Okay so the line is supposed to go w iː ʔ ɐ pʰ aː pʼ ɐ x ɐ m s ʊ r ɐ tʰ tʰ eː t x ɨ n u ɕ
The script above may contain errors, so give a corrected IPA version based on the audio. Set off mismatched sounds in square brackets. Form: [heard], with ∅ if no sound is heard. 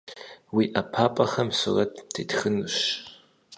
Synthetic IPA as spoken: w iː ʔ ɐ pʰ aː pʼ ɐ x ɐ m s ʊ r ɐ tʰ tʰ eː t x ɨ n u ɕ